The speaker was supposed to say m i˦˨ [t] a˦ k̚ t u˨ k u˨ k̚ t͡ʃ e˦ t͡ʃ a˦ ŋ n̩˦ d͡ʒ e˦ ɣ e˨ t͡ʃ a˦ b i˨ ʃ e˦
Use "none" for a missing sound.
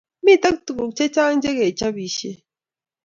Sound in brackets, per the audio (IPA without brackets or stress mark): t